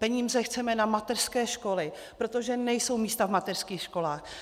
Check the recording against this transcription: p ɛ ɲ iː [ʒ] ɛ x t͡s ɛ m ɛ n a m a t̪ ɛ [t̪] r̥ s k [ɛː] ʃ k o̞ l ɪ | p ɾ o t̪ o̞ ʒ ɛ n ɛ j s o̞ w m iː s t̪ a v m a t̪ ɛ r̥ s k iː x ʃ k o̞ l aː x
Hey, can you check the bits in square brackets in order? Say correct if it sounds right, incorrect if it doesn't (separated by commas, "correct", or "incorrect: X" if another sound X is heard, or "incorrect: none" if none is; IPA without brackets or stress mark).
incorrect: z, incorrect: none, correct